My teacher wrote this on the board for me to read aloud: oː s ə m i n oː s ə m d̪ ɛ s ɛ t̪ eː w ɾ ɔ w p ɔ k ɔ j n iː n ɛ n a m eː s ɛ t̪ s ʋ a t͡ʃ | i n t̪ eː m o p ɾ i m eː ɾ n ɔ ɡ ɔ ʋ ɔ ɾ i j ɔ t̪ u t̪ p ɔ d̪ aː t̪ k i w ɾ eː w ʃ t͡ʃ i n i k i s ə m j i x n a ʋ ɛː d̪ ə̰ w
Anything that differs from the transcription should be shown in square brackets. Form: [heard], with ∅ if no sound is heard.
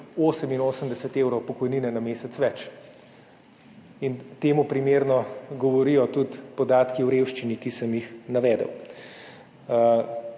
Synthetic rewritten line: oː s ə m i n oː s ə m d̪ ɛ s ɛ t̪ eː w ɾ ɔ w p ɔ k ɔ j n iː n ɛ n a m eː s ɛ t̪ s ʋ [ɛ] t͡ʃ | i n t̪ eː m [u] p ɾ i m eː ɾ n ɔ ɡ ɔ ʋ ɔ ɾ i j ɔ t̪ u t̪ p ɔ d̪ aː t̪ k i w ɾ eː w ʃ t͡ʃ i n i k i s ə m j i x n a ʋ ɛː d̪ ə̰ w

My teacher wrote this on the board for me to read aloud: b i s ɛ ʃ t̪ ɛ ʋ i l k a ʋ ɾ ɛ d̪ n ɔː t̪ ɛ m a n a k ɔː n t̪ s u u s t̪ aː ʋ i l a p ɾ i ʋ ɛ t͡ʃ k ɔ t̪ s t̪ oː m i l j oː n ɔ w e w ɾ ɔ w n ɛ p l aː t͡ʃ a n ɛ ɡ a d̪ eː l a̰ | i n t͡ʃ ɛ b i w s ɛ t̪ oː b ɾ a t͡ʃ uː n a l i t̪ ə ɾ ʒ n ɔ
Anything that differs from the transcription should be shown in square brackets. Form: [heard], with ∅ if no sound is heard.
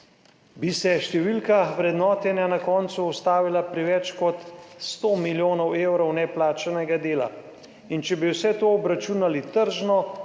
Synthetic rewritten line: b i s ɛ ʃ t̪ ɛ ʋ i l k a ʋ ɾ ɛ d̪ n ɔː t̪ ɛ [n] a n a k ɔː n t̪ s u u s t̪ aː ʋ i l a p ɾ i ʋ ɛ t͡ʃ k ɔ t̪ s t̪ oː m i l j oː n ɔ w e w ɾ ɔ w n ɛ p l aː t͡ʃ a n ɛ ɡ a d̪ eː l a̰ | i n t͡ʃ ɛ b i w s ɛ t̪ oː b ɾ a t͡ʃ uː n a l i t̪ ə ɾ ʒ n ɔ

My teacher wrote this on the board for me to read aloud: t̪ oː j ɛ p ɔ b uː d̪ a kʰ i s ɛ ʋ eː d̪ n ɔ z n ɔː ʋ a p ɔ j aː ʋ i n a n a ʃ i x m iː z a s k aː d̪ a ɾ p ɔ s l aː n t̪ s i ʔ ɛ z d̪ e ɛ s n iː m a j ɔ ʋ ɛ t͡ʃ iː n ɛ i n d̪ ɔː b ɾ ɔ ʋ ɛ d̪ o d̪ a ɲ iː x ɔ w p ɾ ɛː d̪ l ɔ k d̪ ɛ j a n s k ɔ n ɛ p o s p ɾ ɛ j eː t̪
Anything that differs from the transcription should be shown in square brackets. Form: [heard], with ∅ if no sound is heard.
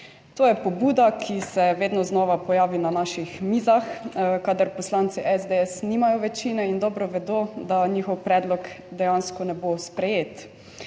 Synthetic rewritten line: t̪ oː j ɛ p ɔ b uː d̪ a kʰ i s ɛ ʋ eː d̪ n ɔ z n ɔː ʋ a p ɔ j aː ʋ i n a n a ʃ i x m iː z a [x] k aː d̪ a ɾ p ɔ s l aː n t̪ s i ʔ ɛ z d̪ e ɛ s n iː m a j ɔ ʋ ɛ t͡ʃ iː n ɛ i n d̪ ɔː b ɾ ɔ ʋ ɛ d̪ o d̪ a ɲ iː x ɔ w p ɾ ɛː d̪ l ɔ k d̪ ɛ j a n s k ɔ n ɛ [b] o s p ɾ ɛ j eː t̪

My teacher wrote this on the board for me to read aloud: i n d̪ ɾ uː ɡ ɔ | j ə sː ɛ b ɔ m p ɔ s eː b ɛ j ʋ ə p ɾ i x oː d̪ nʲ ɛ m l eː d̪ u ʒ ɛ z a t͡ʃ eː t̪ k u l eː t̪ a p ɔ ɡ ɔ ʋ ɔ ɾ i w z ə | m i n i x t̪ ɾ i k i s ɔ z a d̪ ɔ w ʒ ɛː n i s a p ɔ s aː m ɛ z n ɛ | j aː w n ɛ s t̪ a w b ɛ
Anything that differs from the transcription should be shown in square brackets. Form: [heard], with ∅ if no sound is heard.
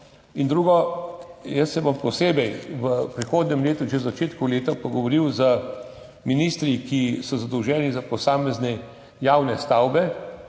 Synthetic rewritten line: i n d̪ ɾ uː ɡ ɔ | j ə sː ɛ b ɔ m p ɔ s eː b ɛ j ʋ ə p ɾ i x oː d̪ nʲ ɛ m l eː [t̪] u ʒ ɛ z a t͡ʃ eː t̪ k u l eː t̪ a p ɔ ɡ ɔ ʋ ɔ ɾ i w z ə | m i n i [s] t̪ ɾ i k i s ɔ z a d̪ ɔ w ʒ ɛː n i [z] a p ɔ s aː m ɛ z n ɛ | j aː w n ɛ s t̪ a w b ɛ

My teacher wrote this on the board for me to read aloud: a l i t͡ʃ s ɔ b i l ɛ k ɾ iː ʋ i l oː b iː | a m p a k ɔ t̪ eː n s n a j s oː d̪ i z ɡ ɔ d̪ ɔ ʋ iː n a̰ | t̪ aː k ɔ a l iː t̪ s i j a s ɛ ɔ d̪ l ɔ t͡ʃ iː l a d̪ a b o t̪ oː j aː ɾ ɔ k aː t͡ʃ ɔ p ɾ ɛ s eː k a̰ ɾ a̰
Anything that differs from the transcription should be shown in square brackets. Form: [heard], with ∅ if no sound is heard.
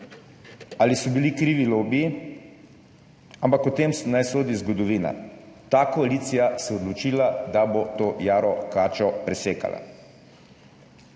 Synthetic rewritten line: a l i [∅] s ɔ b i l [i] k ɾ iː ʋ i l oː b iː | a m p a k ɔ t̪ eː [m] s n a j s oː d̪ i z ɡ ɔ d̪ ɔ ʋ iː n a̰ | t̪ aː k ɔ a l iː t̪ s i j a s ɛ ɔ d̪ l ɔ t͡ʃ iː l a d̪ a b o t̪ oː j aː ɾ ɔ k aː t͡ʃ ɔ p ɾ ɛ s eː k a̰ [l] a̰

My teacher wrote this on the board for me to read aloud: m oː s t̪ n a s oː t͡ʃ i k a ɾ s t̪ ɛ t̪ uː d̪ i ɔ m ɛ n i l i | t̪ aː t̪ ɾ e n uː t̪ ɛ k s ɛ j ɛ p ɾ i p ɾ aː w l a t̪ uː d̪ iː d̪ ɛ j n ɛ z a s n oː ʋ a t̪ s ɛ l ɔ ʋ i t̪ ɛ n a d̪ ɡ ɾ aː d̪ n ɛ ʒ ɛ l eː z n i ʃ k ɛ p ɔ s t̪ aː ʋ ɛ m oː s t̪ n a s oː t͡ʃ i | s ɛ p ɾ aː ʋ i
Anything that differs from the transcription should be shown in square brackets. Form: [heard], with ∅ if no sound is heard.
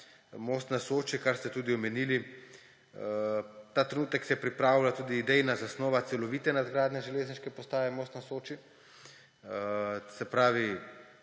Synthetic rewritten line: m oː s t̪ n a s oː t͡ʃ i k a ɾ s t̪ ɛ t̪ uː d̪ i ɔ m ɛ n i l i | t̪ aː t̪ ɾ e n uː t̪ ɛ k s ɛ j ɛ p ɾ i p ɾ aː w l a t̪ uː d̪ iː d̪ ɛ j n [a] z a s n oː ʋ a t̪ s ɛ l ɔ ʋ i t̪ ɛ n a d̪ ɡ ɾ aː d̪ n ɛ ʒ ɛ l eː z n i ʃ k ɛ p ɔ s t̪ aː ʋ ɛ m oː s t̪ n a s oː t͡ʃ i | s ɛ p ɾ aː ʋ i

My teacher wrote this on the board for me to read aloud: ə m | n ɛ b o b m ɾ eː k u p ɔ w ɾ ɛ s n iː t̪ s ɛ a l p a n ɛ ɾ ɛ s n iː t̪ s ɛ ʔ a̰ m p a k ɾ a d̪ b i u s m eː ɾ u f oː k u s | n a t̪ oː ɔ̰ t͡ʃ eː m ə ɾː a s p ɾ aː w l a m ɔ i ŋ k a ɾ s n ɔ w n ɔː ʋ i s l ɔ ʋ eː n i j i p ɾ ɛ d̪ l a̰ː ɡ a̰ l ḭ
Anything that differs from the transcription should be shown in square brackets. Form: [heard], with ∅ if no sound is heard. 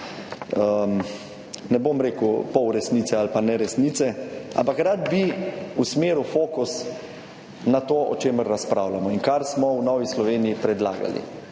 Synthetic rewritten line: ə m | n ɛ b o [∅] m ɾ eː k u p ɔ w ɾ ɛ s n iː t̪ s ɛ a l p a n ɛ ɾ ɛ s n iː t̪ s ɛ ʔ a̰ m p a k ɾ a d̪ b i u s m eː ɾ u f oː k u s | n a t̪ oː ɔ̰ t͡ʃ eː m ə ɾː a s p ɾ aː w l a m ɔ i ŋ k a ɾ s [m] ɔ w n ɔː ʋ i s l ɔ ʋ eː n i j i p ɾ ɛ d̪ l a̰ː ɡ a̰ l ḭ

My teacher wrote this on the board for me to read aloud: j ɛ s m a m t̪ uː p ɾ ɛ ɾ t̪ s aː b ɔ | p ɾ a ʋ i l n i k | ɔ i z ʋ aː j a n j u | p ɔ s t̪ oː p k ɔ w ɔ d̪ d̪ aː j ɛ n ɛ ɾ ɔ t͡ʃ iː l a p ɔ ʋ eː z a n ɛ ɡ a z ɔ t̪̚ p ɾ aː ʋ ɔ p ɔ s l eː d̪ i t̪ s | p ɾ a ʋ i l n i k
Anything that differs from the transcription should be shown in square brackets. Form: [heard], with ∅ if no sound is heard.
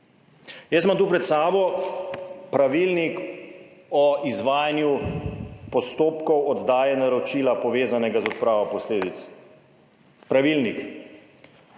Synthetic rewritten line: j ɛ s m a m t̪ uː p ɾ ɛ [∅] t̪ s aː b ɔ | p ɾ a ʋ i l n i k | ɔ i z ʋ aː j a n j u | p ɔ s t̪ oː p k ɔ w ɔ d̪ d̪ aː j ɛ n [a] ɾ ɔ t͡ʃ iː l a p ɔ ʋ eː z a n ɛ ɡ a z ɔ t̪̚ p ɾ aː ʋ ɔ p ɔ s l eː d̪ i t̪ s | p ɾ a ʋ i l n i k

